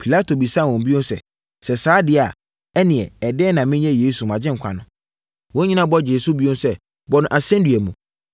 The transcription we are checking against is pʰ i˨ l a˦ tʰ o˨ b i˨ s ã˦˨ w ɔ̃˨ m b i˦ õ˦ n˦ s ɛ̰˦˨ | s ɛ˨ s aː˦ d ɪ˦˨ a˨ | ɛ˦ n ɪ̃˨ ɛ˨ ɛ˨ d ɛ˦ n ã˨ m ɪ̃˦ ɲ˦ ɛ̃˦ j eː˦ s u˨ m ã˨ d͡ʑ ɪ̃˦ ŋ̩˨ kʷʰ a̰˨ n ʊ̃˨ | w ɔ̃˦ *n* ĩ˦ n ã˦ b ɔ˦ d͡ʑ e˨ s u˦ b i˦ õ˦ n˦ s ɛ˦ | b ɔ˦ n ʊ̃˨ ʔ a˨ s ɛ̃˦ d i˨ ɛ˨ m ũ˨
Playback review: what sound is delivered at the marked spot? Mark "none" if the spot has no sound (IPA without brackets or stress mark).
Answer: ɲ